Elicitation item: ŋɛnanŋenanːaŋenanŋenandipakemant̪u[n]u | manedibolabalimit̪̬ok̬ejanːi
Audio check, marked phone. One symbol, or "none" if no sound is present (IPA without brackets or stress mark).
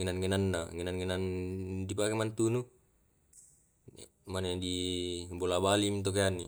n